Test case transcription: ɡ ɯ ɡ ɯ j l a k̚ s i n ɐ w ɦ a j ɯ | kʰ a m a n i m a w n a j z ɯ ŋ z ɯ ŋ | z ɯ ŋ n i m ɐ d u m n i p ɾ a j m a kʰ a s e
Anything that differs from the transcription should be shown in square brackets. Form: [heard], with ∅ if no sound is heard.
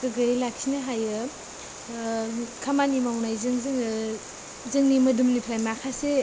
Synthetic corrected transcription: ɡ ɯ ɡ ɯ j l a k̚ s i n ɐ [∅] ɦ a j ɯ | kʰ a m a n i m a w n a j z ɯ ŋ z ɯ ŋ | z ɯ ŋ n i m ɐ d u m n i [pʰ] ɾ a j m a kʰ a s e

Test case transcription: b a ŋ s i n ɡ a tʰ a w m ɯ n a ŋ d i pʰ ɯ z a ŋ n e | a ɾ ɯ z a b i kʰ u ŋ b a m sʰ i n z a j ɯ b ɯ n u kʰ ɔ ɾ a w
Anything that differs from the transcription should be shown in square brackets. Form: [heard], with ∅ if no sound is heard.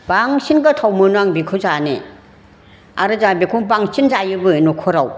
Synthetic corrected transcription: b a ŋ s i n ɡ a tʰ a w m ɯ n a ŋ [b] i [kʰ] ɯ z a [∅] n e | a ɾ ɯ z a b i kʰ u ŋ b a [ŋ] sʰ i n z a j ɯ b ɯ n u kʰ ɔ ɾ a w

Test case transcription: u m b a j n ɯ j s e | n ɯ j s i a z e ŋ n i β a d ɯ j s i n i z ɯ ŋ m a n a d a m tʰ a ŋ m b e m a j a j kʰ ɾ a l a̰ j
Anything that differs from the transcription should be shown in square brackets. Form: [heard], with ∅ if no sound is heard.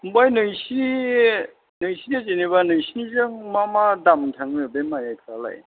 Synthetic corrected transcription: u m b a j n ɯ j s [i] | n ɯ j s i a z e [∅] n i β a [n] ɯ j s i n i z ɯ ŋ m a [m] a d a m tʰ a ŋ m b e m a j a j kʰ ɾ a l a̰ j

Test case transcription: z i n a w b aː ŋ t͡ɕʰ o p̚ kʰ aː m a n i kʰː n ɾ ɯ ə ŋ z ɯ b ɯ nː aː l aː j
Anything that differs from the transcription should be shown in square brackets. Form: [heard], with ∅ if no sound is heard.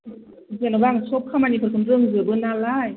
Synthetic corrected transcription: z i n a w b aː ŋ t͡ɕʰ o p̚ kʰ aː m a n i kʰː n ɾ ɯ ə ŋ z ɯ b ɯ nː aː l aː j

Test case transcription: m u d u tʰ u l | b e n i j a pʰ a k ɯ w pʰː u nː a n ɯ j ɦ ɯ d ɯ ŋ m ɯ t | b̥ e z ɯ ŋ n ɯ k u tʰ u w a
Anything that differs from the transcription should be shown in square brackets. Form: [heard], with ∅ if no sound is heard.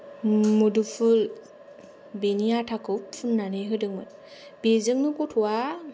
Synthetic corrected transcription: m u d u [pʰ] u l | b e n i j a [tʰ] a k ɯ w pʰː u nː a n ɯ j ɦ ɯ d ɯ ŋ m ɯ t | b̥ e z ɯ ŋ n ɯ k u tʰ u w a

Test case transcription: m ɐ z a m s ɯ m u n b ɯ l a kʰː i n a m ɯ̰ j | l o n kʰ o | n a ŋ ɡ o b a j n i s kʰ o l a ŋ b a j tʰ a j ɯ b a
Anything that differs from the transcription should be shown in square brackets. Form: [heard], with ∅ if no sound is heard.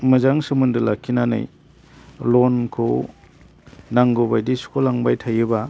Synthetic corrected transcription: m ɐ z a [ŋ] s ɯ m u n [d] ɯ l a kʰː i n a [n] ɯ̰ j | l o n kʰ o | n a ŋ ɡ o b a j [d] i s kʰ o l a ŋ b a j tʰ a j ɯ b a

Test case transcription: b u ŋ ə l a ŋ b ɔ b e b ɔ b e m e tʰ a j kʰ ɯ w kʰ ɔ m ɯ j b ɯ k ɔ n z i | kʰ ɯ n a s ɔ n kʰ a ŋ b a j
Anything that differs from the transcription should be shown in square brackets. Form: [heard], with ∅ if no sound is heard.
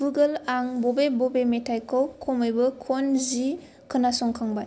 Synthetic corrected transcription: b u [ɡ] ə l a ŋ b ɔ b e b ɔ b e m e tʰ a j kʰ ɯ w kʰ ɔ m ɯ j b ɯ [kʰ] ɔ n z i | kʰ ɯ n a s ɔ [ŋ] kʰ a ŋ b a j

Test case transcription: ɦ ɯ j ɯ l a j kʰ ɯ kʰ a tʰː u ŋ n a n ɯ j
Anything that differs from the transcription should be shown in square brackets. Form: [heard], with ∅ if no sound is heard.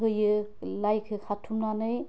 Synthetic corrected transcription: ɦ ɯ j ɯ l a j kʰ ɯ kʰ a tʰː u [m] n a n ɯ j

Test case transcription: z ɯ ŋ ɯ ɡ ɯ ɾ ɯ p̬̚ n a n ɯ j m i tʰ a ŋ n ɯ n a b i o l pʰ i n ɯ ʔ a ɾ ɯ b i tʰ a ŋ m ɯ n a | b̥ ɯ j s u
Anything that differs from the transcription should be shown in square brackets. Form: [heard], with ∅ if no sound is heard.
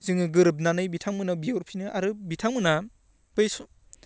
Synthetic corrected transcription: z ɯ ŋ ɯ ɡ ɯ ɾ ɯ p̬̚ n a n ɯ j [b] i tʰ a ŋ [m] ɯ n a b i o [ɾ] pʰ i n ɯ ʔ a ɾ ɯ b i tʰ a ŋ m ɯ n a | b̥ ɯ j s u

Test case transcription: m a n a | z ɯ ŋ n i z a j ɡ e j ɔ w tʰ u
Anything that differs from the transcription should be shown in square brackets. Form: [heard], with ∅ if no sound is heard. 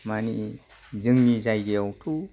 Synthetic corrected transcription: m a n [i] | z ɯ ŋ n i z a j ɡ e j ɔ w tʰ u

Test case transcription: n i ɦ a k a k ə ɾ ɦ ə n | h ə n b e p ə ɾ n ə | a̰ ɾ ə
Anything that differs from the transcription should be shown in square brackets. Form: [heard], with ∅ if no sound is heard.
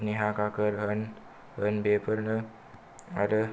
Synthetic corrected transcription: n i ɦ a k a k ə ɾ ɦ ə n | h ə n b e p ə ɾ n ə | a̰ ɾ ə

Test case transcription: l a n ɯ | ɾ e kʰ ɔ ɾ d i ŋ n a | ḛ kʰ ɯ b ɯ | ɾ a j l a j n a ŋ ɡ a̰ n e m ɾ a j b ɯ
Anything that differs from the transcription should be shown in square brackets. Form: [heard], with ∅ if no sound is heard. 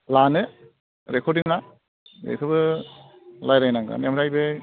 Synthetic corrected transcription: l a n ɯ | ɾ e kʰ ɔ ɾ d i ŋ n a | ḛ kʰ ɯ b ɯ | [l] a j [ɾ] a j n a ŋ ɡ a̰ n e m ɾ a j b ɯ

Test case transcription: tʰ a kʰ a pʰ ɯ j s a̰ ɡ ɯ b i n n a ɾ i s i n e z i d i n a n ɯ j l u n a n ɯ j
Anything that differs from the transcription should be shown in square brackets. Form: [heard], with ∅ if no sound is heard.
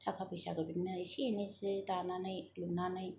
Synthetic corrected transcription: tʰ a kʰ a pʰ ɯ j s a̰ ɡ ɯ b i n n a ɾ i s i n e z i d [a] n a n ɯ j l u n a n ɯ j

